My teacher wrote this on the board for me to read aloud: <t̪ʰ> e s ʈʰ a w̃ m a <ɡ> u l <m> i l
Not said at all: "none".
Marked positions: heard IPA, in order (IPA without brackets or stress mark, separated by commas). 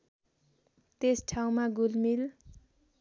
t̪, ɡ, m